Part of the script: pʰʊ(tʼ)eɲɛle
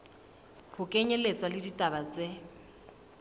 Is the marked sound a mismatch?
yes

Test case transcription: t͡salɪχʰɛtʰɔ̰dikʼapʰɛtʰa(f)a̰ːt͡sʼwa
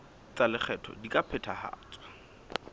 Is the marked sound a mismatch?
yes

